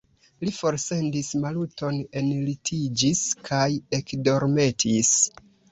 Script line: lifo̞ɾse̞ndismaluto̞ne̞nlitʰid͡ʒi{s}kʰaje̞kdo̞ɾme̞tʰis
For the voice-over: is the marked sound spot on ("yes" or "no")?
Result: yes